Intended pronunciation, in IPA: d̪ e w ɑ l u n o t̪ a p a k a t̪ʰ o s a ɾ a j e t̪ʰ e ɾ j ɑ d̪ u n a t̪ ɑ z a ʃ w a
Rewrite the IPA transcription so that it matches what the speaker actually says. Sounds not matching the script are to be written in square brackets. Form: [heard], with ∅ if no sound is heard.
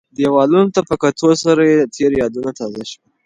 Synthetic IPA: d̪ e w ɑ l u n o t̪ a p [ə] k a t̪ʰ o s a ɾ a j e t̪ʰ e ɾ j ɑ d̪ u n a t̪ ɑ z a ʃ w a